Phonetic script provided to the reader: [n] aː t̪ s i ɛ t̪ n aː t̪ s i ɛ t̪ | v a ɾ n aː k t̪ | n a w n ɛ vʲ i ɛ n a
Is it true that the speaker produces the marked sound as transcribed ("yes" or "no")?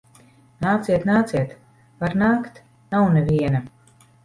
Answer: yes